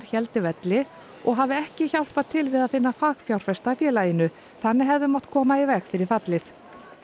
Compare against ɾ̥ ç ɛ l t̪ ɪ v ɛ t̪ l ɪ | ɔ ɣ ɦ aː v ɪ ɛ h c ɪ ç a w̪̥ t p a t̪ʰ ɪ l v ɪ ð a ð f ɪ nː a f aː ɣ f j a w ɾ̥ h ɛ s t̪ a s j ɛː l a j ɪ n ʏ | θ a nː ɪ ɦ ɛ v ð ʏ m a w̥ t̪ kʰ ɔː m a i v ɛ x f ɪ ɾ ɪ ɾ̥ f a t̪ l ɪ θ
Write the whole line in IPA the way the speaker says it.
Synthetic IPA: ɾ̥ ç ɛ l t̪ ɪ v ɛ t̪ l ɪ | ɔ ɣ ɦ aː v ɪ ɛ h c ɪ ç a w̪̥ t p a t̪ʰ ɪ l v ɪ ð a ð f ɪ nː a f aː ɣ f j a w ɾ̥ f ɛ s t̪ a f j ɛː l a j ɪ n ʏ | θ a nː ɪ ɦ ɛ v ð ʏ m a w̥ t̪ kʰ ɔː m a i v ɛ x f ɪ ɾ ɪ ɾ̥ f a t̪ l ɪ θ